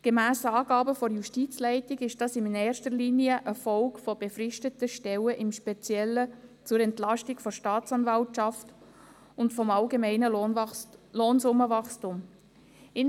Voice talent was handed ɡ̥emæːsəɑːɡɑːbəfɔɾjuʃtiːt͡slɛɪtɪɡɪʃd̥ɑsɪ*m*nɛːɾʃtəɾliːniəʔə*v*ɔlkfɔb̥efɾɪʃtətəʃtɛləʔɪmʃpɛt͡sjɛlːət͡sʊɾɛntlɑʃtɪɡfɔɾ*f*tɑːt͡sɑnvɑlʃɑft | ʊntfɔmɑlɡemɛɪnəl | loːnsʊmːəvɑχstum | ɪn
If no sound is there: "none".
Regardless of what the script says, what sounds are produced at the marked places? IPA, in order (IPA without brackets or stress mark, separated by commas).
n, f, ʃ